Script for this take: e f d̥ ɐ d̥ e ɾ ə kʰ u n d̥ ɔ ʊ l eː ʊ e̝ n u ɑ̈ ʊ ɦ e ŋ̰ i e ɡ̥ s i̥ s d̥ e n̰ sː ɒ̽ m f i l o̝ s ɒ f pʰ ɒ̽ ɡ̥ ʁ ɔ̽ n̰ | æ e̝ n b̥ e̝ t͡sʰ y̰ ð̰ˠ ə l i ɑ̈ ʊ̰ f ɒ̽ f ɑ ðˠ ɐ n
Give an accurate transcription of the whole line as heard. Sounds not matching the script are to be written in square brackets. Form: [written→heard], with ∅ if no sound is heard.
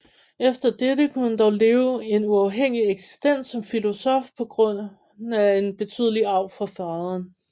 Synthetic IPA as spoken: e f d̥ ɐ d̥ e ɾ ə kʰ u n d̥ [ɔ→ɒ] ʊ l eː ʊ e̝ n u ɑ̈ ʊ ɦ e ŋ̰ i e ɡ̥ s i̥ s d̥ e n̰ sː ɒ̽ m f i l o̝ s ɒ f pʰ ɒ̽ ɡ̥ ʁ ɔ̽ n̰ | æ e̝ n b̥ e̝ t͡sʰ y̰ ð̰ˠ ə l i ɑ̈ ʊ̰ f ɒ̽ f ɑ ðˠ ɐ n